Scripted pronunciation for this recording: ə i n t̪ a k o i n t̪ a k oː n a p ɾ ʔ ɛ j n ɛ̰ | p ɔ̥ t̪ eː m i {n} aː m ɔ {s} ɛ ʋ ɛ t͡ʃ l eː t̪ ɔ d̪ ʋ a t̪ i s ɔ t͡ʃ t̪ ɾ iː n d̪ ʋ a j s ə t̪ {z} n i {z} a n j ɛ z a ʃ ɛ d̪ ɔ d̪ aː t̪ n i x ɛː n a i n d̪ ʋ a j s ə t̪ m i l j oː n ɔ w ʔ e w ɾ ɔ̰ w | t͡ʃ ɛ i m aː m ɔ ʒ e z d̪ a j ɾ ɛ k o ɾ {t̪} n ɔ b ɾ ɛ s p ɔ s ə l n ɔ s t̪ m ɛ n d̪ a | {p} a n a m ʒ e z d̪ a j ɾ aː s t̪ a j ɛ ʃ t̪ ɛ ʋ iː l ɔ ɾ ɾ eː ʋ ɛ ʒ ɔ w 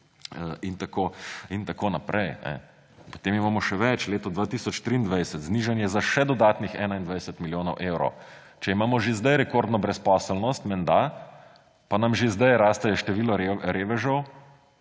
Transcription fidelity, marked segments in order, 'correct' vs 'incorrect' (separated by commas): incorrect, incorrect, correct, incorrect, incorrect, correct